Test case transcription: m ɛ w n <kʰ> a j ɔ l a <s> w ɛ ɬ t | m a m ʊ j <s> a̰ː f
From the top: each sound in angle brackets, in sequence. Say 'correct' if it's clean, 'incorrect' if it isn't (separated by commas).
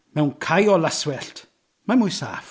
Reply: correct, correct, correct